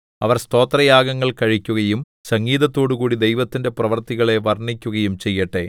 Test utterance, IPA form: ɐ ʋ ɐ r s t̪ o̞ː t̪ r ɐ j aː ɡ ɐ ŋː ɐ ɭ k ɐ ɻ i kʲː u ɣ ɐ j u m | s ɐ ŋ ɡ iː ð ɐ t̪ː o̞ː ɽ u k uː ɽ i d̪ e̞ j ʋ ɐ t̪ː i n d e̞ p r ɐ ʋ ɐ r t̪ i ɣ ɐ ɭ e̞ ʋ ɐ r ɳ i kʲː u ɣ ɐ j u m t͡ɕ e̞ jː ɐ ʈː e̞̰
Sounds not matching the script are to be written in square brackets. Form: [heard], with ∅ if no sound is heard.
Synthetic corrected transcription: ɐ ʋ ɐ r s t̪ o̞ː t̪ r ɐ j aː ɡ ɐ ŋː ɐ ɭ k ɐ ɻ i kʲː u ɣ ɐ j u m | s ɐ ŋ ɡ iː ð ɐ t̪ː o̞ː ɽ u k uː ɽ i d̪ e̞ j ʋ ɐ t̪ː i n d e̞ p r ɐ ʋ ɐ r t̪ i ɣ ɐ ɭ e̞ ʋ ɐ r ɳ i kʲː u ɣ ɐ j u m t͡ɕ e̞ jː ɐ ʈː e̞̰